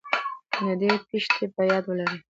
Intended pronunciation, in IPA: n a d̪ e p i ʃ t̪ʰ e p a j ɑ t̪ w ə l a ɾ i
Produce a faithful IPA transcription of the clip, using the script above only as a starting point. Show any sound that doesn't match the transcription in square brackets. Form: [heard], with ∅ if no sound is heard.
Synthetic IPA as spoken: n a d̪ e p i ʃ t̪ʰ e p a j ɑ [d̪] w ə l a ɾ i